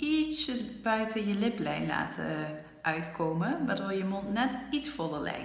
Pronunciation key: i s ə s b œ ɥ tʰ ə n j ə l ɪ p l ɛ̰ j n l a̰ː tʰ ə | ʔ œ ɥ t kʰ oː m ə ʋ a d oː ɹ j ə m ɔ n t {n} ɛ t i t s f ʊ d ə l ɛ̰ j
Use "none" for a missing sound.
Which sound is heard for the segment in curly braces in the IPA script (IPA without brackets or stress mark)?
n